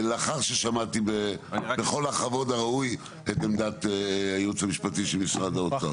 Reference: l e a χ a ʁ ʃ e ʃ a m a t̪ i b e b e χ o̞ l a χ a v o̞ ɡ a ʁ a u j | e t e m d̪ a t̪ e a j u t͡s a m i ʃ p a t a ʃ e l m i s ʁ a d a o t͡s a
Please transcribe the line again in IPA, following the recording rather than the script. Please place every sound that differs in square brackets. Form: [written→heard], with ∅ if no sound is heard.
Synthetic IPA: l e a χ a ʁ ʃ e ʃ a m a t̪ i b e b e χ o̞ l a χ a v o̞ [ɡ→d] a ʁ a u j | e t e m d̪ a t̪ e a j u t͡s a m i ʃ p a t [a→i] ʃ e l m i s ʁ a d a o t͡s a